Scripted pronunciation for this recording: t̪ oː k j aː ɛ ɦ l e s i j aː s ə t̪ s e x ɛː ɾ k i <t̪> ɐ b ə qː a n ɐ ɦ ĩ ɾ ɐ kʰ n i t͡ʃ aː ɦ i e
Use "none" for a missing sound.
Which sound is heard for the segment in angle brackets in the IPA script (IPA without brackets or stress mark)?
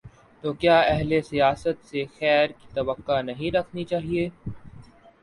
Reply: t̪